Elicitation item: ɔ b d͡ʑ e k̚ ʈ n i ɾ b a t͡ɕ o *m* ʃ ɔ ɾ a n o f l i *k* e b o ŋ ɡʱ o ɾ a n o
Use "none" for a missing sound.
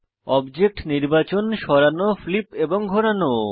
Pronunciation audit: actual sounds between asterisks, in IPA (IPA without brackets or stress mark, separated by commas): n, p